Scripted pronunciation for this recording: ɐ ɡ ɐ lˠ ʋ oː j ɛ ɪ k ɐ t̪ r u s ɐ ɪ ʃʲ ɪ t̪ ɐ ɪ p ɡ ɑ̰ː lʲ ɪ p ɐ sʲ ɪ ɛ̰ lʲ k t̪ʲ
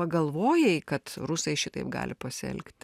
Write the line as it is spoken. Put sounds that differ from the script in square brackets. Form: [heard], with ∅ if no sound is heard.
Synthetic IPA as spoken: ɐ ɡ ɐ lˠ ʋ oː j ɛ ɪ k ɐ t̪ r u s ɐ ɪ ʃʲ ɪ t̪ ɐ ɪ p ɡ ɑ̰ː lʲ ɪ p ɐ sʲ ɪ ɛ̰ lʲ k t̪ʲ